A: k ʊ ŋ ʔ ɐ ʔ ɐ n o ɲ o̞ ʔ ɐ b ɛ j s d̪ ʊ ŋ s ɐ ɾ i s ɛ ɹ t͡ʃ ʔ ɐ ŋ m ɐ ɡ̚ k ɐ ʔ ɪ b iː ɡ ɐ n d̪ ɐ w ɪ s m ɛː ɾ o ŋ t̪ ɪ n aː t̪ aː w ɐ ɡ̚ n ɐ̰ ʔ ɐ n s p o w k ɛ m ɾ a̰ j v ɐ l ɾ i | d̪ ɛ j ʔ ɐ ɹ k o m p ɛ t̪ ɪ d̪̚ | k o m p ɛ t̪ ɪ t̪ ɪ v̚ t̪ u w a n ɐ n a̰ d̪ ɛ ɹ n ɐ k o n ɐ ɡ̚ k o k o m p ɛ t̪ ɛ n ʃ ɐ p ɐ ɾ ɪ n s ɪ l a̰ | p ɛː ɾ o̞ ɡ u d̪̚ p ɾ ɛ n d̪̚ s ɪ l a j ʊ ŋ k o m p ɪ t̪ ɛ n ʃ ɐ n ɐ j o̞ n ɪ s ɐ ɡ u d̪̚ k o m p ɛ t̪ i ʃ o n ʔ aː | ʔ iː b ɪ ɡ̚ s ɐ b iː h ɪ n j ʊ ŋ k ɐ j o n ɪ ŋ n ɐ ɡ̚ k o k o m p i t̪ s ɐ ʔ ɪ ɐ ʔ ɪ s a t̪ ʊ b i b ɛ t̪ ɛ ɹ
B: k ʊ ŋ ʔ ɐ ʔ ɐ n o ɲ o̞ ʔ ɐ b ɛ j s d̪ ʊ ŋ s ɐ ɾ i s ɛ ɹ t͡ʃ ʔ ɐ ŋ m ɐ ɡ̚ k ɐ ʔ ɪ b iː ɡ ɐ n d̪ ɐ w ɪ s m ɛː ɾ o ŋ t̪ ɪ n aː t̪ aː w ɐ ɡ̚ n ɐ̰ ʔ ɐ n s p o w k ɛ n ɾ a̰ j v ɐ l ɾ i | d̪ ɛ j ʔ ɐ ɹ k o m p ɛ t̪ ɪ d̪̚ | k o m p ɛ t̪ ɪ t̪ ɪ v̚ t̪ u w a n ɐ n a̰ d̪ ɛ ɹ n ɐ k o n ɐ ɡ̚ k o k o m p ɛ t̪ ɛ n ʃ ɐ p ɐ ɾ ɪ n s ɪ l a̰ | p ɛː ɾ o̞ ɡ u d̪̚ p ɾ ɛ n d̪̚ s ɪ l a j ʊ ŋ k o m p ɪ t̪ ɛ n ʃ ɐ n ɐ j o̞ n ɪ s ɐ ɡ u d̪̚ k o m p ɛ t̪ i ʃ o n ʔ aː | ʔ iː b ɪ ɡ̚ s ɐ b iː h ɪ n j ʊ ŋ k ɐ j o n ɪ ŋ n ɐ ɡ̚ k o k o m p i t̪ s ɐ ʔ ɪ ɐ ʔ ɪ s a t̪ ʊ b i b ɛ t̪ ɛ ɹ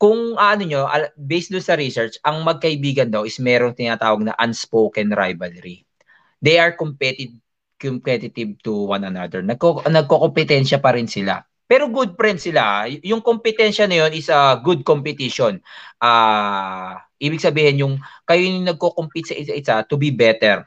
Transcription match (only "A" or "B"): B